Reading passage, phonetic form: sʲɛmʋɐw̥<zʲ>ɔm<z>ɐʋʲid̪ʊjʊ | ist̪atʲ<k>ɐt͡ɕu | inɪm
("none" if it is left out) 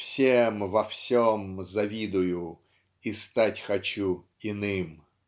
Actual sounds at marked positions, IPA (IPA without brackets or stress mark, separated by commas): sʲ, z, x